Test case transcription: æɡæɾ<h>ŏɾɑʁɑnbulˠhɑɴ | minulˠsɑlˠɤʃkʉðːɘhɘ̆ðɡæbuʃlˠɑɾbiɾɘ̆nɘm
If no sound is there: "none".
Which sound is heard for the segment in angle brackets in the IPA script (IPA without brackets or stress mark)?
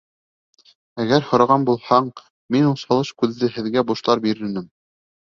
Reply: h